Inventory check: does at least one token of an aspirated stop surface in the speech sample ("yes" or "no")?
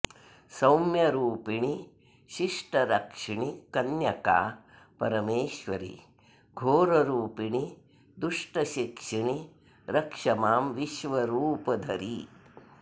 no